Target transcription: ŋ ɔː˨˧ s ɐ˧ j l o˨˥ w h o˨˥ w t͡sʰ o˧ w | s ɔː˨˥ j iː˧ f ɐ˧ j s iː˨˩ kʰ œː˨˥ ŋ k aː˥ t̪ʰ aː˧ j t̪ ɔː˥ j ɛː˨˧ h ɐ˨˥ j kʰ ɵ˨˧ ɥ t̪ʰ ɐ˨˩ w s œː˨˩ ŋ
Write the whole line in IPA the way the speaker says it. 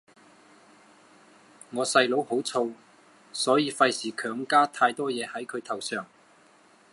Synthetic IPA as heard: ŋ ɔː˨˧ s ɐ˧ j l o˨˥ w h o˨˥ w t͡sʰ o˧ w | s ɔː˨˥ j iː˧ f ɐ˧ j s iː˨˩ kʰ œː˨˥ ŋ k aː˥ t̪ʰ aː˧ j t̪ ɔː˥ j ɛː˨˧ h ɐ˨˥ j kʰ ɵ˨˧ ɥ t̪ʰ ɐ˨˩ w s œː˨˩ ŋ